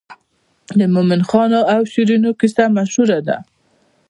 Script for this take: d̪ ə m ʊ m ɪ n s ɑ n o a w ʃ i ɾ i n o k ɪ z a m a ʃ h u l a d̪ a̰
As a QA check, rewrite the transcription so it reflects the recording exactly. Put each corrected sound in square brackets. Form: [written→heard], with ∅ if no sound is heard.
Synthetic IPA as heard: d̪ ə m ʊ m ɪ n [s→x] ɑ n o a w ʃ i ɾ i n o k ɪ [z→s] a m a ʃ h u [l→ɾ] a d̪ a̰